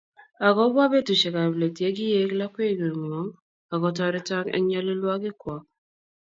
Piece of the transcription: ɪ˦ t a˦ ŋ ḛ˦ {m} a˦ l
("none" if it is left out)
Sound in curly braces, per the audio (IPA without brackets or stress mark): ɲ